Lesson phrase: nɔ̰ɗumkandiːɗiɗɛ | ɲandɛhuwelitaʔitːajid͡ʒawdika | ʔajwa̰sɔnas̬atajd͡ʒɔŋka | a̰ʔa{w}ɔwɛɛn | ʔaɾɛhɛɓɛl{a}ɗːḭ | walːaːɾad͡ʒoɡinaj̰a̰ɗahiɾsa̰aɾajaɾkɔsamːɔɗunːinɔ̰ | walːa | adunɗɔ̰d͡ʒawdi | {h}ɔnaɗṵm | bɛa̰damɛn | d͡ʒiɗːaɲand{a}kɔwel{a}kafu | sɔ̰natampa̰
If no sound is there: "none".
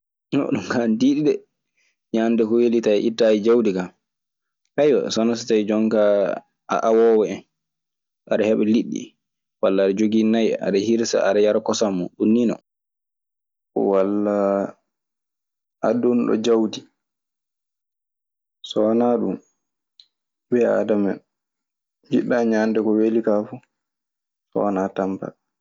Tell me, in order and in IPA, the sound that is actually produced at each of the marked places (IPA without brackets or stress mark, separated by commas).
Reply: w, i, s, ɛ, i